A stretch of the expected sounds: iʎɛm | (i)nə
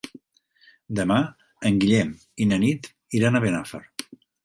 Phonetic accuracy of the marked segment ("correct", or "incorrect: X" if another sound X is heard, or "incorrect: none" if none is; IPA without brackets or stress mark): correct